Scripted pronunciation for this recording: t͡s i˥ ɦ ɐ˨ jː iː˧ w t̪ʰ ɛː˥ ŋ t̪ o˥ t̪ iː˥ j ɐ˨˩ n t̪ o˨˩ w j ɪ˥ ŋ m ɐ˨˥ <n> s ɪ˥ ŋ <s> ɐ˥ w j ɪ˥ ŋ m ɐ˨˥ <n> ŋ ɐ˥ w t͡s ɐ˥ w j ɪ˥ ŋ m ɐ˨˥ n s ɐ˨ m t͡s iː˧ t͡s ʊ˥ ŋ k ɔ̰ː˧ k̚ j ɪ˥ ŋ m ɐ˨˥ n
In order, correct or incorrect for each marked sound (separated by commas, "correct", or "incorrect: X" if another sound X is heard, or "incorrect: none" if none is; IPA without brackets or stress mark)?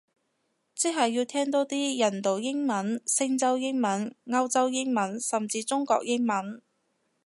correct, incorrect: t͡s, correct